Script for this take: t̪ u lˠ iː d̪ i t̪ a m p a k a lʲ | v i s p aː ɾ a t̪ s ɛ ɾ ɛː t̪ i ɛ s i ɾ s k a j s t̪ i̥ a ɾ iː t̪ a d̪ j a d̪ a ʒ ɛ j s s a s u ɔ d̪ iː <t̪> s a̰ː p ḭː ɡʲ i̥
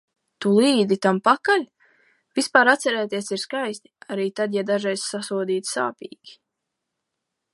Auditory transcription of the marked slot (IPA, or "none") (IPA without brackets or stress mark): t̪